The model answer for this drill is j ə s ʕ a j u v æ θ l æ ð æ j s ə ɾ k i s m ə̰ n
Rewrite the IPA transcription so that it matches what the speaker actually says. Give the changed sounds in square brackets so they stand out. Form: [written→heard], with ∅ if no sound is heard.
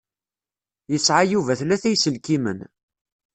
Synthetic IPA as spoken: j ə s ʕ a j u v æ θ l æ [ð→θ] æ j s ə [ɾ→l] k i [s→∅] m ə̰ n